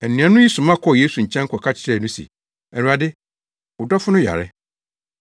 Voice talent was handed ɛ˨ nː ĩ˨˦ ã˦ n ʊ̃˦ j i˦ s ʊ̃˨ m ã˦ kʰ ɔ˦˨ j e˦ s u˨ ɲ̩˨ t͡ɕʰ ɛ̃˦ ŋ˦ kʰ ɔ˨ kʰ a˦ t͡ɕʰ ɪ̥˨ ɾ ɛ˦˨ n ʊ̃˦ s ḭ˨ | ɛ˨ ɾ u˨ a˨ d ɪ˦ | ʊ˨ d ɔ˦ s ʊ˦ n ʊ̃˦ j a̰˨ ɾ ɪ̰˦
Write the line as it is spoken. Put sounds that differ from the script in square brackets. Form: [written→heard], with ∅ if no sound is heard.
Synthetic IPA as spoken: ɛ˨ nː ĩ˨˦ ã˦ n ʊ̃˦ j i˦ s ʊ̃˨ m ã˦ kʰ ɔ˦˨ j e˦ s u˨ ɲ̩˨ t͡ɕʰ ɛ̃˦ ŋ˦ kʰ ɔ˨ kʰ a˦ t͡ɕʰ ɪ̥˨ ɾ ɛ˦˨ n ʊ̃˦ s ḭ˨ | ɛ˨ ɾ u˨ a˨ d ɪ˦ | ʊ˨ d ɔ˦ [s→f] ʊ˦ n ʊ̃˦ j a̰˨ ɾ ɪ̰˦

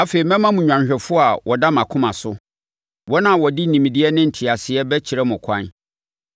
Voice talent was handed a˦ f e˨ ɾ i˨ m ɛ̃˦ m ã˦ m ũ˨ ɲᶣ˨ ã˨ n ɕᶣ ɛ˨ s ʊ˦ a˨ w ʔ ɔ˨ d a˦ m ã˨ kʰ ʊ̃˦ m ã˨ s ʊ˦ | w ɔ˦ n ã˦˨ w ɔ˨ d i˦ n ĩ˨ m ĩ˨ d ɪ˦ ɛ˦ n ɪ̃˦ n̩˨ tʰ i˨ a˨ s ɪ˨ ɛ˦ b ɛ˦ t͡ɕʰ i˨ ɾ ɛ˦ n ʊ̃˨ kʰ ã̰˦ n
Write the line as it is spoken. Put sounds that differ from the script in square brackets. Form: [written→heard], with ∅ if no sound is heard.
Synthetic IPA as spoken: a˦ f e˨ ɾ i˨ m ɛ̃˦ m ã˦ m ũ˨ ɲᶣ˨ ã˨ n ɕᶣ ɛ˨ [s→f] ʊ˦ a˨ w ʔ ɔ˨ d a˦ m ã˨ kʰ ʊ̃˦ m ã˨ s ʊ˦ | w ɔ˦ n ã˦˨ w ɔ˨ d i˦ n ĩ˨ m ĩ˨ d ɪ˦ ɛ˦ n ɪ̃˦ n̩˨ tʰ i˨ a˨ s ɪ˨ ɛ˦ b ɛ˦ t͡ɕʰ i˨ ɾ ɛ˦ [n→m] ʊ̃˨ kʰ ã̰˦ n

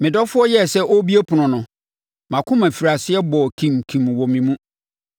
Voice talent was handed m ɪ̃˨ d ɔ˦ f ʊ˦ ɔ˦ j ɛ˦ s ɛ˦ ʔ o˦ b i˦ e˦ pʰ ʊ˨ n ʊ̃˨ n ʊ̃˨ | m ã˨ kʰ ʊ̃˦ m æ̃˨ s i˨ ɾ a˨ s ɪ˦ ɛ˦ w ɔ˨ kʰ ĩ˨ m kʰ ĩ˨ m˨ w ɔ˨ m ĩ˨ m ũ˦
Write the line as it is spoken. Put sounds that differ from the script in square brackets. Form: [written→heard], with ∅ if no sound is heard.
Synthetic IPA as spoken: m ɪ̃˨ d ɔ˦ f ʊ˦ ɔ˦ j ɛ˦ s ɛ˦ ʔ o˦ b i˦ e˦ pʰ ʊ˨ n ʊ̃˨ n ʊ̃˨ | m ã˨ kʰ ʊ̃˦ m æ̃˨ [s→f] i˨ ɾ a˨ s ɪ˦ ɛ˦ [w→b] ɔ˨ kʰ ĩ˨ m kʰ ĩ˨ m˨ w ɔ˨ m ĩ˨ m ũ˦

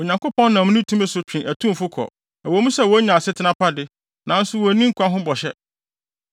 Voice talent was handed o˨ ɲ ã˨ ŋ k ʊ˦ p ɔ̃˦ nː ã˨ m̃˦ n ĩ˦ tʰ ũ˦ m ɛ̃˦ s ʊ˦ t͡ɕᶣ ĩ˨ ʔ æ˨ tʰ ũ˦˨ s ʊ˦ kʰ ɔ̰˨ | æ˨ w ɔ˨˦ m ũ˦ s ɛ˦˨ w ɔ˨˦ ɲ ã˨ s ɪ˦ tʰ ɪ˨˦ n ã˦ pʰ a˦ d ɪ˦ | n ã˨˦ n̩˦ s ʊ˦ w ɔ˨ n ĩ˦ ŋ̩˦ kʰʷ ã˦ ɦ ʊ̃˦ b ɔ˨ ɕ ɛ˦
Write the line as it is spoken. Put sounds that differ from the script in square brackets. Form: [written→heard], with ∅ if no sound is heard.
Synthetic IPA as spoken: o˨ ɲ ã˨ ŋ k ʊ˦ p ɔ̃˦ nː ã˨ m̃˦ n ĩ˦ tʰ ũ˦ m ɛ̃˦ s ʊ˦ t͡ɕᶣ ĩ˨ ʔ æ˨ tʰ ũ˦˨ [s→f] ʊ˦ kʰ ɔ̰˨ | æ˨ w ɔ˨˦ m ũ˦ s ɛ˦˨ w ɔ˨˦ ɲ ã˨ s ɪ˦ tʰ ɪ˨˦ n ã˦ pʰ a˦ d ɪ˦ | n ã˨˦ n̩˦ s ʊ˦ w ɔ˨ n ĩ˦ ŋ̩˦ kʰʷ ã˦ ɦ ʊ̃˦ b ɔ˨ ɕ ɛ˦

